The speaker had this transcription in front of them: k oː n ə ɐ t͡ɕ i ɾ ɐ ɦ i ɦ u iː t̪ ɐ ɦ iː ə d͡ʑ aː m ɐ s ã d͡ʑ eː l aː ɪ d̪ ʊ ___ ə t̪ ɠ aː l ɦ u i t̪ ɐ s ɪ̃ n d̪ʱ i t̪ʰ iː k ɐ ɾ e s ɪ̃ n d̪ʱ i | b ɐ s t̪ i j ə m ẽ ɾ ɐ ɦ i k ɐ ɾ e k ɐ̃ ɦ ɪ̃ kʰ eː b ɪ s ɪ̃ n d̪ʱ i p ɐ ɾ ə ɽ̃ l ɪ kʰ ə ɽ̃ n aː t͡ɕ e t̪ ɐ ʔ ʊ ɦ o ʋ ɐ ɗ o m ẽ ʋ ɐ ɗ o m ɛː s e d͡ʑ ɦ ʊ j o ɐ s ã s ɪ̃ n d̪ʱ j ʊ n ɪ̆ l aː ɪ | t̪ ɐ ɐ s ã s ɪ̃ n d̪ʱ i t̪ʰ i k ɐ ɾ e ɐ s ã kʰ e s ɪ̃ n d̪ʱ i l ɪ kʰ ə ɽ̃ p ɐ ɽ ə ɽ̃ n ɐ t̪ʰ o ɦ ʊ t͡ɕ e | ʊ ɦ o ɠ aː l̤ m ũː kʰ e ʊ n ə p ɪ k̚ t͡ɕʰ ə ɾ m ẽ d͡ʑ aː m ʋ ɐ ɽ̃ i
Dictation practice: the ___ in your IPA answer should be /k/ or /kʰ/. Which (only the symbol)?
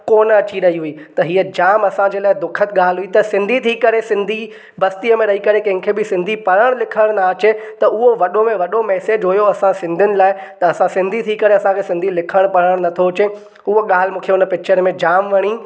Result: kʰ